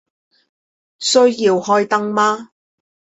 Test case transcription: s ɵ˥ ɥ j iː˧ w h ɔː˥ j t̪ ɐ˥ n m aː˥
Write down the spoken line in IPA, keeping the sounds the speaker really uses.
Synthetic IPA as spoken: s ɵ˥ ɥ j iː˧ w h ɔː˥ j t̪ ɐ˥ ŋ m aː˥